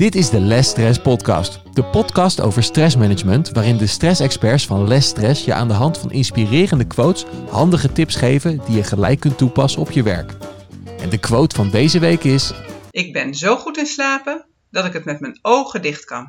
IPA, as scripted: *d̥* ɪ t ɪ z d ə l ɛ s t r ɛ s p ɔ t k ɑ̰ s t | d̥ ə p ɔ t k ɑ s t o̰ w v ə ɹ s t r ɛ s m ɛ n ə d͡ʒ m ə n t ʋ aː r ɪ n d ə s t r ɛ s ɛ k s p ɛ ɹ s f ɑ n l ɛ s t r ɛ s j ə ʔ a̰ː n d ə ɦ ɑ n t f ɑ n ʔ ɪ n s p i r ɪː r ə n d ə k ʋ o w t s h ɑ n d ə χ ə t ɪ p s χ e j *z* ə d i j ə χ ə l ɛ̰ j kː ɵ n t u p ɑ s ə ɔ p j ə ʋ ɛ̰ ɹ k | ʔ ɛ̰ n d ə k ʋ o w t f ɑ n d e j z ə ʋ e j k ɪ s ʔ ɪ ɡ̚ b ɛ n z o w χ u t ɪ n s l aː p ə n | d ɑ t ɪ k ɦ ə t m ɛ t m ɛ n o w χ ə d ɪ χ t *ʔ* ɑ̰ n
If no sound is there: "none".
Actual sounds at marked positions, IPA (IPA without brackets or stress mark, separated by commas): d̥, v, k